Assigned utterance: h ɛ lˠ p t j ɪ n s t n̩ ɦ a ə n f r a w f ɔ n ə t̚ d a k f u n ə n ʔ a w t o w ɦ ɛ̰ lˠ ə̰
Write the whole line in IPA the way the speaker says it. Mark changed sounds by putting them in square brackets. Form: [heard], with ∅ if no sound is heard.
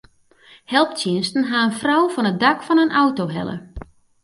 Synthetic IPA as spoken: h ɛ lˠ p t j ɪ n s t n̩ ɦ a ə n f r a w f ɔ n ə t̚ d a k f [ɔ] n ə n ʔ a w t o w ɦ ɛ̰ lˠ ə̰